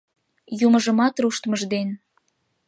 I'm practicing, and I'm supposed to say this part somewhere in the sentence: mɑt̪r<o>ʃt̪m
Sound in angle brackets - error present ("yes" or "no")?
yes